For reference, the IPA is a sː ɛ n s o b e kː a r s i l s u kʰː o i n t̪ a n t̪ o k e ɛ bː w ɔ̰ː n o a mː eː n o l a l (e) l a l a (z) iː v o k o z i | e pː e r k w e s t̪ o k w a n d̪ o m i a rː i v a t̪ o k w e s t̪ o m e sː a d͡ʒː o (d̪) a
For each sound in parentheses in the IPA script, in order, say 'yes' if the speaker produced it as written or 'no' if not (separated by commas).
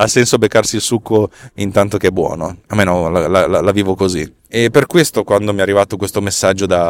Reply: no, no, yes